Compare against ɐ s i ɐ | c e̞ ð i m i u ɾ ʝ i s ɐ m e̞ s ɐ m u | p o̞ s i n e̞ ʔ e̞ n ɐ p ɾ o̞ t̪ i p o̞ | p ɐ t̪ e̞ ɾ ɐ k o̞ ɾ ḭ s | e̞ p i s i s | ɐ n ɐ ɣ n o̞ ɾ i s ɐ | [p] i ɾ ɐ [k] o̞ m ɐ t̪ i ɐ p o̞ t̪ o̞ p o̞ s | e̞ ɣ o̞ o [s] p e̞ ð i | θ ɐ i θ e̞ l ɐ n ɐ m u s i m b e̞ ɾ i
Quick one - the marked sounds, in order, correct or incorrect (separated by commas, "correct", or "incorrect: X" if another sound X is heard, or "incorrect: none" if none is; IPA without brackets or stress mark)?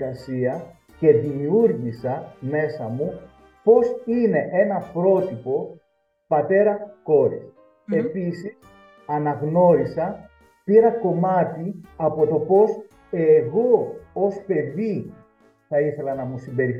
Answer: correct, correct, correct